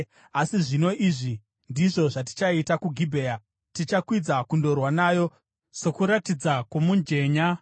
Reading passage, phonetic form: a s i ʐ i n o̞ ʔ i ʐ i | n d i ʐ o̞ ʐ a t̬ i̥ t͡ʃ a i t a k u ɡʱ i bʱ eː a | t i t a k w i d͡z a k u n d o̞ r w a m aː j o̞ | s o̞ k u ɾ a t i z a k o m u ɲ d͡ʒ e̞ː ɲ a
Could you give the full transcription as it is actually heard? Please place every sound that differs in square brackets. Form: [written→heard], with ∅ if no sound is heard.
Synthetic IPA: a s i ʐ i n o̞ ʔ i ʐ i | n d i ʐ o̞ ʐ a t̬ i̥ t͡ʃ a i t a k u ɡʱ i bʱ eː a | t i [t→t͡ʃ] a k w i d͡z a k u n d o̞ r w a [m→n] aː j o̞ | s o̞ k u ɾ a t i [z→d͡z] a k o m u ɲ d͡ʒ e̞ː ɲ a

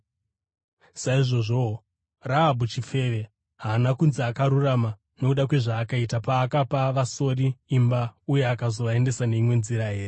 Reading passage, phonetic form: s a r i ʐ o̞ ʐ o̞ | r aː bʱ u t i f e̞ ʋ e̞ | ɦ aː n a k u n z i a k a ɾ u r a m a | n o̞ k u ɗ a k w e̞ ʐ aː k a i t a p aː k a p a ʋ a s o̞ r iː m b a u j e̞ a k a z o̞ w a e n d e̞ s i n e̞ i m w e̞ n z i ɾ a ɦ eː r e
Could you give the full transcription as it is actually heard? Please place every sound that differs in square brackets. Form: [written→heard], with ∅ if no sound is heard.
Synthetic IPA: s a [r→∅] i ʐ o̞ ʐ o̞ | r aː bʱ u [t→t͡ʃ] i f e̞ ʋ e̞ | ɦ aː n a k u n z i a k a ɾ u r a m a | n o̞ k u ɗ a k w e̞ ʐ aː k a i t a p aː k a p a ʋ a s o̞ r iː m b a u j e̞ a k a z o̞ [w→ʋ] a e n d e̞ s [i→a] n e̞ i m w e̞ n z i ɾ a ɦ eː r e

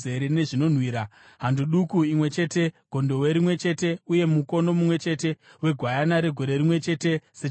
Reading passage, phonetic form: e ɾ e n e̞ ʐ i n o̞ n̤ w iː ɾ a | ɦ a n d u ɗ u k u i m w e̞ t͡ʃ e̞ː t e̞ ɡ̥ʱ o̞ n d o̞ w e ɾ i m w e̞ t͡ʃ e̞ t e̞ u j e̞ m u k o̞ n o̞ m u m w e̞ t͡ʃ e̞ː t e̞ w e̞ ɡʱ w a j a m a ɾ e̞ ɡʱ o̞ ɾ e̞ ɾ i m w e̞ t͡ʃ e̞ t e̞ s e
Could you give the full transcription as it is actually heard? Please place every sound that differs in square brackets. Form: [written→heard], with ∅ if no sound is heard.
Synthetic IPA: e ɾ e n e̞ ʐ i n o̞ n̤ w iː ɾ a | ɦ a n d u ɗ u k u i m w e̞ t͡ʃ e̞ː t e̞ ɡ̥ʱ o̞ n d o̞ w e ɾ i m w e̞ t͡ʃ e̞ t e̞ u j e̞ m u k o̞ n o̞ m u m w e̞ t͡ʃ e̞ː t e̞ w e̞ ɡʱ w a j a [m→n] a ɾ e̞ ɡʱ o̞ ɾ e̞ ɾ i m w e̞ t͡ʃ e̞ t e̞ s e

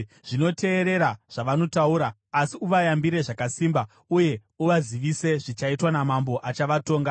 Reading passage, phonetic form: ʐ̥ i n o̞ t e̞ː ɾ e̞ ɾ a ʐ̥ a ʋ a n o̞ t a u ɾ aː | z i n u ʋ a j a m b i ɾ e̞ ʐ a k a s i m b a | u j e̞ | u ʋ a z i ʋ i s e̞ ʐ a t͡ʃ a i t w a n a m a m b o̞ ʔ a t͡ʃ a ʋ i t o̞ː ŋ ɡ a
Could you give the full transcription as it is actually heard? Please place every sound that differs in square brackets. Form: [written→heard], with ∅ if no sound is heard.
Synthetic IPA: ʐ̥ i n o̞ t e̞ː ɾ e̞ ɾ a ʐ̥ a ʋ a n o̞ t a u ɾ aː | [z→s] i [n→∅] u ʋ a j a m b i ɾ e̞ ʐ a k a s i m b a | u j e̞ | u ʋ a z i ʋ i s e̞ ʐ [a→i] t͡ʃ a i t w a n a m a m b o̞ ʔ a t͡ʃ a ʋ [i→a] t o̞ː ŋ ɡ a

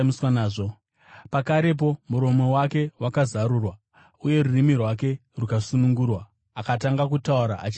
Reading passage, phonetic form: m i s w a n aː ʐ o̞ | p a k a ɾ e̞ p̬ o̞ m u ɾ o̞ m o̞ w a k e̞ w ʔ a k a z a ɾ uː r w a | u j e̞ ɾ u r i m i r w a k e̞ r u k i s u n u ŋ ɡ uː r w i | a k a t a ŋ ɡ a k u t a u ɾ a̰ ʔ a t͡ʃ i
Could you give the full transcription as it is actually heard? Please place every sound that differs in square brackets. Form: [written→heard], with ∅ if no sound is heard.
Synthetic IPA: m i s w a n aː ʐ o̞ | p a k a ɾ e̞ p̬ o̞ m u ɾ o̞ m o̞ w a k e̞ w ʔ a k a z a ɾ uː r w a | u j e̞ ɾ u r i m i r w a k e̞ r u k [i→a] s u n u ŋ ɡ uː r w [i→a] | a k a t a ŋ ɡ a k u t a u ɾ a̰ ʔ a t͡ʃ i

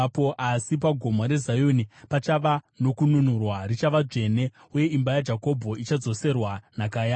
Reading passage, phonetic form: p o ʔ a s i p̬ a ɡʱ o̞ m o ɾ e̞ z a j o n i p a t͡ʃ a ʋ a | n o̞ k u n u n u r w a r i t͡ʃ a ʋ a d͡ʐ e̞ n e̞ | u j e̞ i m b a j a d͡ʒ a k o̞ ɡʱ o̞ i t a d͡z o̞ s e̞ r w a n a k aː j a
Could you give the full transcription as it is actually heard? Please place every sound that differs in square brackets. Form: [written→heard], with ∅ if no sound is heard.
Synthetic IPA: p o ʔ a s i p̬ a ɡʱ o̞ m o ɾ e̞ z a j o n i p a t͡ʃ a ʋ a | n o̞ k u n u n u r w a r i t͡ʃ a ʋ a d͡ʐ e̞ n e̞ | u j e̞ i m b a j a d͡ʒ a k o̞ [ɡʱ→bʱ] o̞ i [t→t͡ʃ] a d͡z o̞ s e̞ r w a n a k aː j a

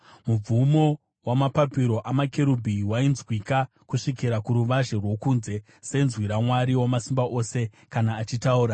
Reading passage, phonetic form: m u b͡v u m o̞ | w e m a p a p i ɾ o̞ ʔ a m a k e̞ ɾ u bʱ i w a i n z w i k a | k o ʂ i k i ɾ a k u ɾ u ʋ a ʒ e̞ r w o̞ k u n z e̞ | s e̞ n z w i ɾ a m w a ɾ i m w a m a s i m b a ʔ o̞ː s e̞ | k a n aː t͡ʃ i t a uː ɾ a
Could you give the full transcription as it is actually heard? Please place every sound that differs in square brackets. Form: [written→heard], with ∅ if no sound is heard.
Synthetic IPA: m u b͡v u m o̞ | w [e→a] m a p a p i ɾ o̞ ʔ a m a k e̞ ɾ u bʱ i w a i n z w i k a | k [o→u] ʂ i k i ɾ a k u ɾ u ʋ a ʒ e̞ r w o̞ k u n z e̞ | s e̞ n z w i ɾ a m w a ɾ i [m→∅] w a m a s i m b a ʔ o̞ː s e̞ | k a n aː t͡ʃ i t a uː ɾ a

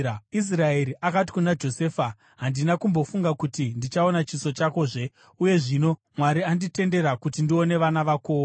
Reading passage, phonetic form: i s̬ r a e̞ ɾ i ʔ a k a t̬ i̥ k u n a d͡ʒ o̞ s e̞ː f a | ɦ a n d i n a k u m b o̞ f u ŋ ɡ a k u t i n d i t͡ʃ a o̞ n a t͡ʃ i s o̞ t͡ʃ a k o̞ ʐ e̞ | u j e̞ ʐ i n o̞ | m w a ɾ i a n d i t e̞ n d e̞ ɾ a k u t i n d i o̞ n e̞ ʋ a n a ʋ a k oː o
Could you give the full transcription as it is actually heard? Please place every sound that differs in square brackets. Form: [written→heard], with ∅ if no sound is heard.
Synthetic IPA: i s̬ r a e̞ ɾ i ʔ a k a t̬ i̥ k u n a d͡ʒ o̞ s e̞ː f a | ɦ a n d i n a k u m b o̞ f u ŋ ɡ a k u t i n d i t͡ʃ a o̞ n a t͡ʃ i s o̞ t͡ʃ a k o̞ ʐ e̞ | u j e̞ ʐ i n o̞ | m w a ɾ i a n d i t e̞ n d e̞ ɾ a k u t i n d i o̞ n e̞ ʋ a n a ʋ a k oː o

